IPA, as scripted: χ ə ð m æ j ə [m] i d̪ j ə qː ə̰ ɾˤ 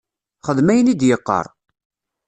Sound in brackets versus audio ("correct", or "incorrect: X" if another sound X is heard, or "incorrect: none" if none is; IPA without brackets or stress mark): incorrect: n